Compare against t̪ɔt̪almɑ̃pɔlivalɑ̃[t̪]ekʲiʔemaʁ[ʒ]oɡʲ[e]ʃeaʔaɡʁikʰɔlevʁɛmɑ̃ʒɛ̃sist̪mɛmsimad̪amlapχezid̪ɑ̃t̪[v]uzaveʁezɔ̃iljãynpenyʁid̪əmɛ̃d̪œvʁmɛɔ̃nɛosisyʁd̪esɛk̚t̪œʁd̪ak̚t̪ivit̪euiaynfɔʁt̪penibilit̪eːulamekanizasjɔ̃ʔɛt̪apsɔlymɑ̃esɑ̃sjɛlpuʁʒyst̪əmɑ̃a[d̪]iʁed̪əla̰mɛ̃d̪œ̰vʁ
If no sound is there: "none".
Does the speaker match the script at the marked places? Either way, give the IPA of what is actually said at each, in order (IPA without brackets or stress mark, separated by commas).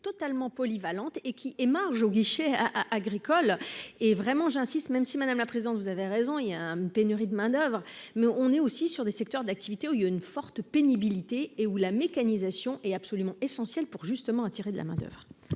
t̪, ʒ, i, v, t̪